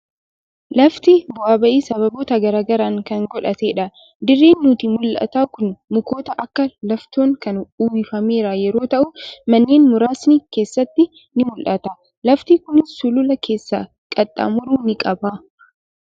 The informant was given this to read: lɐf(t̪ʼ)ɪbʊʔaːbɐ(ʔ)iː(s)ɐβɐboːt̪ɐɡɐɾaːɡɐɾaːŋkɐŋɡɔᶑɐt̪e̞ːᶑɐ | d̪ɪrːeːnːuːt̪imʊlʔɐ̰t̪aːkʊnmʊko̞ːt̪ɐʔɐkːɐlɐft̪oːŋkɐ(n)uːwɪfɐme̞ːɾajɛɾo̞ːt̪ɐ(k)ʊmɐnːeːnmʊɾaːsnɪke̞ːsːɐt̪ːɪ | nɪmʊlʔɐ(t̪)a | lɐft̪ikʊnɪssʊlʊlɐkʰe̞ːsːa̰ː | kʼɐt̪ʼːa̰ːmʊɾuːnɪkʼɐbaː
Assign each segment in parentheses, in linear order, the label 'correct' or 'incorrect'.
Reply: incorrect, correct, correct, correct, incorrect, correct

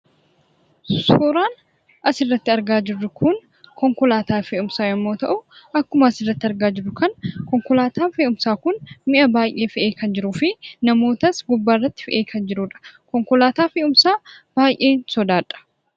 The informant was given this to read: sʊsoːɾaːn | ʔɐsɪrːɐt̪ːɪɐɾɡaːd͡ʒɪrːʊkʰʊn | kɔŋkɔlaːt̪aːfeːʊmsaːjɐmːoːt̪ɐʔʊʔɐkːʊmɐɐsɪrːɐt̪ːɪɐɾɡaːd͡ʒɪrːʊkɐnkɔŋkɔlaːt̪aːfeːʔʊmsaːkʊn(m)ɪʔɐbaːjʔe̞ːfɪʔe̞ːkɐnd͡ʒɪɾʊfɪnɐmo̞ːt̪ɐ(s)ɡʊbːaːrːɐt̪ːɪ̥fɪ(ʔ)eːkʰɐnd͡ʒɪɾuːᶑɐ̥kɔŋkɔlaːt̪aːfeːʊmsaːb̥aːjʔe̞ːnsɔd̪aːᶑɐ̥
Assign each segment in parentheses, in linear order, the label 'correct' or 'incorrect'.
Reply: correct, correct, correct

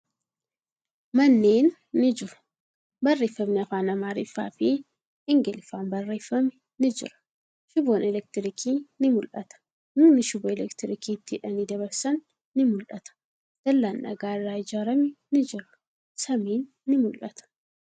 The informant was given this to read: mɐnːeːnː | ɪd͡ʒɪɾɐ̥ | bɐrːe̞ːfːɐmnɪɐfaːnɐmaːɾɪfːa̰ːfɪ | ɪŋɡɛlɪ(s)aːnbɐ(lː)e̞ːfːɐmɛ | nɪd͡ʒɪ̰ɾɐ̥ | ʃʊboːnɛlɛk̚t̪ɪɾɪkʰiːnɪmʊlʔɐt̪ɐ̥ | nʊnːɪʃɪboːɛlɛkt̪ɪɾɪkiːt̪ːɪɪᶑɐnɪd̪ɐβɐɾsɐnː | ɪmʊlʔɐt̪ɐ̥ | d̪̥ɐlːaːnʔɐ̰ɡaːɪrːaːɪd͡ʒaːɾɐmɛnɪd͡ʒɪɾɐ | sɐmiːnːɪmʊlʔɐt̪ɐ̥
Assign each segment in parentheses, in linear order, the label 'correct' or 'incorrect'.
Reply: incorrect, incorrect

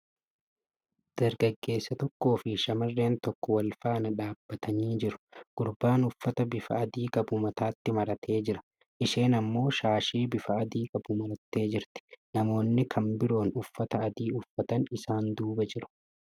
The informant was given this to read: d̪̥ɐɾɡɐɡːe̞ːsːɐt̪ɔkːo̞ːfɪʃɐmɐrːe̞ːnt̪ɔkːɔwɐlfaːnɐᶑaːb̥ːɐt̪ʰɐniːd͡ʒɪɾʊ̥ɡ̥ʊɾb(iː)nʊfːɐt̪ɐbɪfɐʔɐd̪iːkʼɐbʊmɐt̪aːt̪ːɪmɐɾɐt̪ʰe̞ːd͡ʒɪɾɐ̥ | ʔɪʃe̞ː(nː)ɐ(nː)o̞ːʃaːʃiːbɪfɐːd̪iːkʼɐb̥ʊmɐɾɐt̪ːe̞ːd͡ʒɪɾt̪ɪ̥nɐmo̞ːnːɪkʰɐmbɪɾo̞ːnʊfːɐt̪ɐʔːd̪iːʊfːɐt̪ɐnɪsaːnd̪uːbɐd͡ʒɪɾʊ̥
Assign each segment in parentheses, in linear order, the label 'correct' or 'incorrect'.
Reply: incorrect, incorrect, incorrect

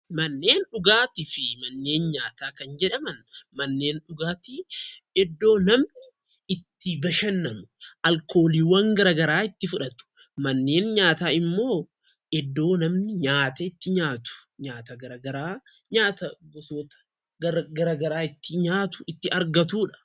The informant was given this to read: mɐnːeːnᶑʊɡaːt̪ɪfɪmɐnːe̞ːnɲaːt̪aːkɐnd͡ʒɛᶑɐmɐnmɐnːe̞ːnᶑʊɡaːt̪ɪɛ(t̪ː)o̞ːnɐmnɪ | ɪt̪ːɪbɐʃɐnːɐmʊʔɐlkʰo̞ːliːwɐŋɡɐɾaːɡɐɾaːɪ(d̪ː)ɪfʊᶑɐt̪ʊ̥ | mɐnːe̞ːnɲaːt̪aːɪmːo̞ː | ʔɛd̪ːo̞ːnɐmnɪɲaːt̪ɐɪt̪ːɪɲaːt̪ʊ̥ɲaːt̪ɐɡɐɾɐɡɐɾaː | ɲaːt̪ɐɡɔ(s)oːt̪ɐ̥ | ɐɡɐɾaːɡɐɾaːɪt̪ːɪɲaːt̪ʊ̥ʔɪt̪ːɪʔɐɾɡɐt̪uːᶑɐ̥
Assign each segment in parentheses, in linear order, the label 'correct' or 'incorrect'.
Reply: incorrect, incorrect, correct

